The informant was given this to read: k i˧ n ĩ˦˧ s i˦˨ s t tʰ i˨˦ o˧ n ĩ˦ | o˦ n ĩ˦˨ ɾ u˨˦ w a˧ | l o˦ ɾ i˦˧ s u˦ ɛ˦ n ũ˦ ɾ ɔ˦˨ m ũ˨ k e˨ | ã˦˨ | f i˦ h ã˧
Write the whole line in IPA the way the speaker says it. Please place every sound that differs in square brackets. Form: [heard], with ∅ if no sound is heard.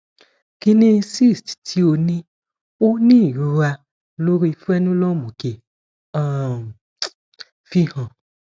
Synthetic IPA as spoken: k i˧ n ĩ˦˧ s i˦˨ s t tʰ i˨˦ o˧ n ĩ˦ | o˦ n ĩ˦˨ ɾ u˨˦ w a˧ | l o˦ ɾ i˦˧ [f] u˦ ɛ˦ n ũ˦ [l] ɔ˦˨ m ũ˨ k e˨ | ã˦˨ | f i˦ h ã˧